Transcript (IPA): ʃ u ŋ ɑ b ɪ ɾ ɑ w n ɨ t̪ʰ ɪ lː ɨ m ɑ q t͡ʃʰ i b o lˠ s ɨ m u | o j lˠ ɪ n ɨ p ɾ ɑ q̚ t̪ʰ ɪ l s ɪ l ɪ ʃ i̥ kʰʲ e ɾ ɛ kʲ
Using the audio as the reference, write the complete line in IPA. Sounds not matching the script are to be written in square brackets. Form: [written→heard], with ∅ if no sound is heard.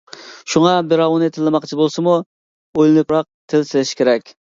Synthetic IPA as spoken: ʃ u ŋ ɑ b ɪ ɾ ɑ w n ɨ t̪ʰ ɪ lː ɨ m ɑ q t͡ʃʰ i b o lˠ s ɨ m u | o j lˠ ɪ n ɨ p ɾ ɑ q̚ t̪ʰ ɪ l s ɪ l ɪ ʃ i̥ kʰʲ e ɾ ɛ kʲ